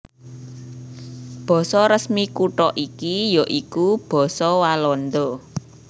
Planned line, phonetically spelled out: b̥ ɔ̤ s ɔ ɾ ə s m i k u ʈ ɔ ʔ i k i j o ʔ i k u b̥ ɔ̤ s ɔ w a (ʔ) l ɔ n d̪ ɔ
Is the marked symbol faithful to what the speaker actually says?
no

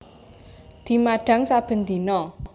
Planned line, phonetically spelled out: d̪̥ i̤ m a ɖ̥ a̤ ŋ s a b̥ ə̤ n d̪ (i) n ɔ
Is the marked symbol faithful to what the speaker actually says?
yes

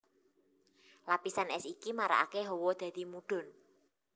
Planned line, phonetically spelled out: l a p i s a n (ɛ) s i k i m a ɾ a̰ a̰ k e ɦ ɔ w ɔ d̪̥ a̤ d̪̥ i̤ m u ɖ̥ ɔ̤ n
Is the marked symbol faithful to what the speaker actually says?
yes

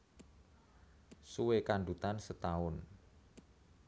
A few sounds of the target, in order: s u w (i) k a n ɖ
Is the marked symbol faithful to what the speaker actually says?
no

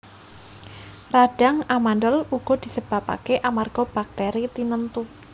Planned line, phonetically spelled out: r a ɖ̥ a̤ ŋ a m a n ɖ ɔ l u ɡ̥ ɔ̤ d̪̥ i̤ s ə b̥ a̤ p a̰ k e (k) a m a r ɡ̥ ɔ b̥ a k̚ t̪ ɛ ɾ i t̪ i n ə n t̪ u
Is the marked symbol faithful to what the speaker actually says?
no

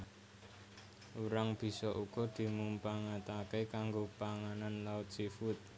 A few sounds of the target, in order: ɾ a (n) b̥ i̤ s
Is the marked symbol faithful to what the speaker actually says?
no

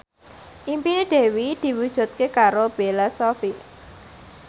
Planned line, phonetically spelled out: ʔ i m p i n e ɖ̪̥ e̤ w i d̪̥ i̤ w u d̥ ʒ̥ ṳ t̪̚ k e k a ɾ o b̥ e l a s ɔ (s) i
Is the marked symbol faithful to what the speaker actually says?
no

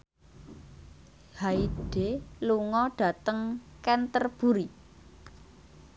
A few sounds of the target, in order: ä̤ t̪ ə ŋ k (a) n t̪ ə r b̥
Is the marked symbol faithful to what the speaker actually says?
no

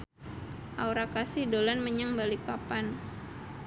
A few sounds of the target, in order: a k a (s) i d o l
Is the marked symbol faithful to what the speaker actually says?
yes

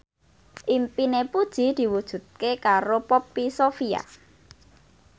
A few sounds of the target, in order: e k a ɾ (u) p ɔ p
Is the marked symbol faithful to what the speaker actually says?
no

